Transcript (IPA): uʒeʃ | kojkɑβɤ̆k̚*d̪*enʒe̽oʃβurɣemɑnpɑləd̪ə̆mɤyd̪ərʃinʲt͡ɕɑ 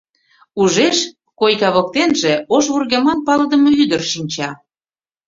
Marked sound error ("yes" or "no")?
yes